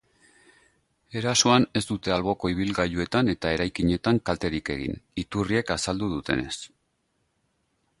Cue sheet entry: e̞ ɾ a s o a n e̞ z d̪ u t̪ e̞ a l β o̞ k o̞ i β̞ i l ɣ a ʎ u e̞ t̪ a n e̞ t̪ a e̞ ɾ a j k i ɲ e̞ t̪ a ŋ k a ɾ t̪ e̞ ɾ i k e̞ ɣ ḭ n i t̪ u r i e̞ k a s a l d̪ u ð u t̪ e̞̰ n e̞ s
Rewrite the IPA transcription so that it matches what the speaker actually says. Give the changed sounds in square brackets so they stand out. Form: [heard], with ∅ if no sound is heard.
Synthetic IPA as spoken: e̞ ɾ a s o a n e̞ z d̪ u t̪ e̞ a l β o̞ k o̞ i β̞ i l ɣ a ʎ u e̞ t̪ a n e̞ t̪ a e̞ ɾ a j k i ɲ e̞ t̪ a ŋ k a [l] t̪ e̞ ɾ i k e̞ ɣ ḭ n i t̪ u r i e̞ k a s a l d̪ u ð u t̪ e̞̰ n e̞ s